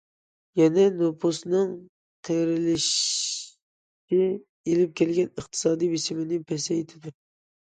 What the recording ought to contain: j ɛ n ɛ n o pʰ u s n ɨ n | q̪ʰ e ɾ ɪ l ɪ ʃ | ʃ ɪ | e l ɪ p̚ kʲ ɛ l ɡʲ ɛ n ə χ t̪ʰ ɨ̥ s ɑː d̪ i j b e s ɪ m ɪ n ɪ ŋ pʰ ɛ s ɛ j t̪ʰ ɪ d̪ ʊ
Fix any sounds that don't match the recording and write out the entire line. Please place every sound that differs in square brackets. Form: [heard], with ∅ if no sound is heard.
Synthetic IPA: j ɛ n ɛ n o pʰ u s n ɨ [ŋ] | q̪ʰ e ɾ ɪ l ɪ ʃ | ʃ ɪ | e l ɪ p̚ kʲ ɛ l ɡʲ ɛ n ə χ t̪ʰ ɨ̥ s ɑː d̪ i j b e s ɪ m ɪ n ɪ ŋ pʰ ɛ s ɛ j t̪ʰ ɪ d̪ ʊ